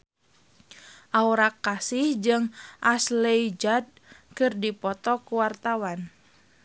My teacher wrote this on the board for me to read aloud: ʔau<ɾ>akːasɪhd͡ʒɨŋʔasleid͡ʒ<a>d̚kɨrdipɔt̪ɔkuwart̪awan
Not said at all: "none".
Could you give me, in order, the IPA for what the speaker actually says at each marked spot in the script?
ɾ, a

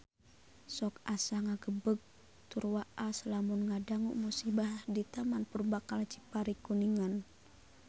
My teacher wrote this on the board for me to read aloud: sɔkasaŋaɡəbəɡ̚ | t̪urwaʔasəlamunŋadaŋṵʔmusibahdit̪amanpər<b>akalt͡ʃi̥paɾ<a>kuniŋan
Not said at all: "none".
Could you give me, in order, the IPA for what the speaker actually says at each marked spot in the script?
b, i

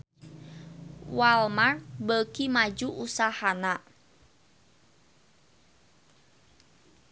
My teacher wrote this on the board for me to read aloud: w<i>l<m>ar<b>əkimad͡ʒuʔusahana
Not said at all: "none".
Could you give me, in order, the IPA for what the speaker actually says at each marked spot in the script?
a, m, b

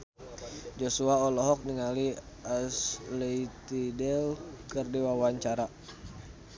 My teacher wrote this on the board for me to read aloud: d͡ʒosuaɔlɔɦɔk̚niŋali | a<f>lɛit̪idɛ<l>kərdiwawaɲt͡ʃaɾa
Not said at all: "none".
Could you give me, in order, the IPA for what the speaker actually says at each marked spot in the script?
s, l

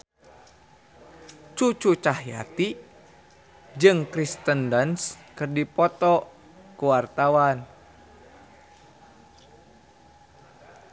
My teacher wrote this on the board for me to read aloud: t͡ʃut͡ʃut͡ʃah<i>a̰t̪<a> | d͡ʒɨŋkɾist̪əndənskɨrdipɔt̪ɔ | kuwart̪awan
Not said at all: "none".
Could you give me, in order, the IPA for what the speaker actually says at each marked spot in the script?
j, i

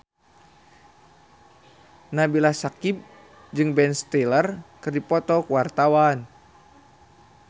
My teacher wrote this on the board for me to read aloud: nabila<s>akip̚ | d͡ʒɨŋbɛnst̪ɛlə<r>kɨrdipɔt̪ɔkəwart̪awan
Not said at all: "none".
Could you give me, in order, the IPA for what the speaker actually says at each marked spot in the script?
s, r

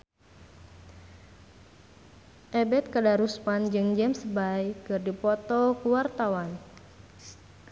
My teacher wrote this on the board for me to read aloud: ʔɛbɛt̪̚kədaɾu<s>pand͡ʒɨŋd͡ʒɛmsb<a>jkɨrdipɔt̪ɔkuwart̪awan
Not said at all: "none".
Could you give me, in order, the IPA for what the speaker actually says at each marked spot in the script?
s, a

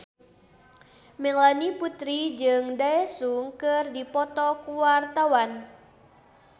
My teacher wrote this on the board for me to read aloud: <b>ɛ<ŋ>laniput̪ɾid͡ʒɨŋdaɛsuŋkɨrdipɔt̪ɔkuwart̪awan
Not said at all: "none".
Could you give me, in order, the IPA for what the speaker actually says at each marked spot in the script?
m, ŋ

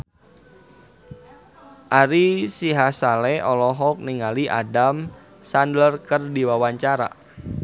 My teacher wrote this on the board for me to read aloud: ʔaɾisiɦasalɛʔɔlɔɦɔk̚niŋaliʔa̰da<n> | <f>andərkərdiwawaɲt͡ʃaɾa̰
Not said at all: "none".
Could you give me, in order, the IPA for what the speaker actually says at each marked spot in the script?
m, s

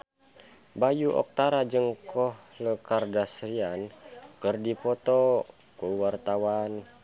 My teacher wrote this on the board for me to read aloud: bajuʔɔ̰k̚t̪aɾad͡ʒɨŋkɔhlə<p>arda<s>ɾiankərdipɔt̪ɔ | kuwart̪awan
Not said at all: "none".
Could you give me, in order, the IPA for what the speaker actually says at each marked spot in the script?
k, s

